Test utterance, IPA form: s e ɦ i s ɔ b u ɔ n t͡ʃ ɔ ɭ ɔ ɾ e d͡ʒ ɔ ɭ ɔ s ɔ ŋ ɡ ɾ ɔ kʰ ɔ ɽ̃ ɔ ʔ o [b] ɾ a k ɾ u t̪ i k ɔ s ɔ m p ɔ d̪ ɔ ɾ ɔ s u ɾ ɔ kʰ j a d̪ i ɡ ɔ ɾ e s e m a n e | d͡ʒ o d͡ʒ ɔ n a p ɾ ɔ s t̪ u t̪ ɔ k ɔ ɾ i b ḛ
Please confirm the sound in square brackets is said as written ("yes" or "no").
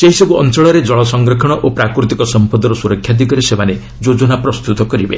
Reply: no